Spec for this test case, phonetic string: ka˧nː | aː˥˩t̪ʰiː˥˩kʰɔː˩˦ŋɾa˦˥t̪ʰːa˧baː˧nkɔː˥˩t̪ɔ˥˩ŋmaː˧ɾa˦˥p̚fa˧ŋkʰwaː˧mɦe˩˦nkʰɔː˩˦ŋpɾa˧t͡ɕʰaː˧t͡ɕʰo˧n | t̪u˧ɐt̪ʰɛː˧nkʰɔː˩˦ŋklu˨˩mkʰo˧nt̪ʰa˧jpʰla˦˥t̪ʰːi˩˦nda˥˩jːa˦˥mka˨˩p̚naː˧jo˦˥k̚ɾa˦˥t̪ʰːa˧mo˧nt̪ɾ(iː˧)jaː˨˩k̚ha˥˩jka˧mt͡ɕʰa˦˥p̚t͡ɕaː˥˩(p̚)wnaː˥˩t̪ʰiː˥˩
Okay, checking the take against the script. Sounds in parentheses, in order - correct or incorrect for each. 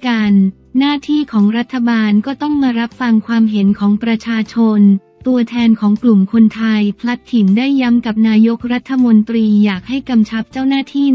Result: correct, incorrect

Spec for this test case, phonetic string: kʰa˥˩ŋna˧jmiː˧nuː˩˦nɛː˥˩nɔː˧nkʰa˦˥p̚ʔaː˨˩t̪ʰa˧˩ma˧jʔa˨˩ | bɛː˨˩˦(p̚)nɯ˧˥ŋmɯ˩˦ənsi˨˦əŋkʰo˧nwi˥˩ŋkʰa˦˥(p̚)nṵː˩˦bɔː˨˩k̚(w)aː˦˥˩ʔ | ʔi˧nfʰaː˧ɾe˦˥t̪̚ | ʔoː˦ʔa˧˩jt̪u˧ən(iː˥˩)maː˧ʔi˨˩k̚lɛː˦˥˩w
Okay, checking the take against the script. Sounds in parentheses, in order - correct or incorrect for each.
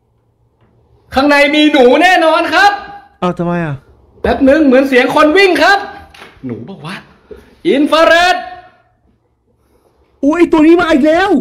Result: correct, correct, correct, incorrect

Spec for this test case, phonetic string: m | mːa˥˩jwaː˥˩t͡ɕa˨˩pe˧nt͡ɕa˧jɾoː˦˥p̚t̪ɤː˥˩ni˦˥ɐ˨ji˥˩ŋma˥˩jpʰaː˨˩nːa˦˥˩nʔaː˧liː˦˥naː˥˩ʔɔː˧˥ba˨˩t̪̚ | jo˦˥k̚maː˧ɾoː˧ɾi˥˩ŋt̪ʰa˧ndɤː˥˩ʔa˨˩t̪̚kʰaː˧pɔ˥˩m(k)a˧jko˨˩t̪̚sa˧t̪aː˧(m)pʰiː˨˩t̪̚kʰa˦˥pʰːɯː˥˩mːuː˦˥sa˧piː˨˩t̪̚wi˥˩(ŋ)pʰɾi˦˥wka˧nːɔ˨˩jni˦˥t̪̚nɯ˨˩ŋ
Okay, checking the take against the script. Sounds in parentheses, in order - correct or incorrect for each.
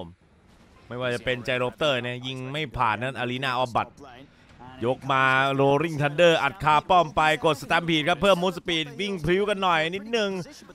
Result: incorrect, correct, correct

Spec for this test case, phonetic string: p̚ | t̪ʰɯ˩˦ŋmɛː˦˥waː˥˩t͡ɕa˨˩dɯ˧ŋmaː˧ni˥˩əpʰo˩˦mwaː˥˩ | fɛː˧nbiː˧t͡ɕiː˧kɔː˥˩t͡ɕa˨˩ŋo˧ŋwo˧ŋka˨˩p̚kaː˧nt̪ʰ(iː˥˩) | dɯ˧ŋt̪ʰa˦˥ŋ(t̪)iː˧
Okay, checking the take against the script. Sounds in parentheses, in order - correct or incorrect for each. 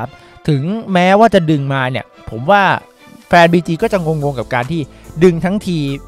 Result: correct, incorrect

